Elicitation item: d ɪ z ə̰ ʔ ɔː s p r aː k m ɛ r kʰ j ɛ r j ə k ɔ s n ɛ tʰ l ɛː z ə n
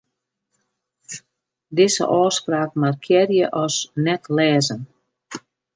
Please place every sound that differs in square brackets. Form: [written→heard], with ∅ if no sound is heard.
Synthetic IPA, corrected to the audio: d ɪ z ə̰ ʔ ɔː s p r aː k m [ɛ→a] r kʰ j ɛ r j ə [k→ʔ] ɔ s n ɛ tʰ l ɛː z ə n